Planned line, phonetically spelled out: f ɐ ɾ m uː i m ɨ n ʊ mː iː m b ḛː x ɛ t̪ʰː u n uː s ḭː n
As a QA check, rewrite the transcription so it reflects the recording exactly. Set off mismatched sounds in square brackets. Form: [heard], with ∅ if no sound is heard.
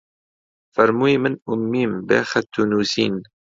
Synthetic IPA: f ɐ ɾ m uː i m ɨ n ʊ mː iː m b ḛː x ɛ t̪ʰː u n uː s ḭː n